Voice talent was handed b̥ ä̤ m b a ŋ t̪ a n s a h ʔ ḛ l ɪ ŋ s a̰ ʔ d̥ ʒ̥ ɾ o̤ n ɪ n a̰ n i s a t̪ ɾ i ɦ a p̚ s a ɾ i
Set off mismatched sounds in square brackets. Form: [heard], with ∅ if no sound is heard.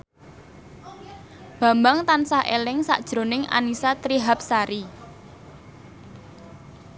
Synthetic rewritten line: b̥ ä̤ m b a ŋ t̪ a n s a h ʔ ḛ l ɪ ŋ s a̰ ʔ d̥ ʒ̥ ɾ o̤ n ɪ [ŋ] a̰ n i s a t̪ ɾ i ɦ a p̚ s a ɾ i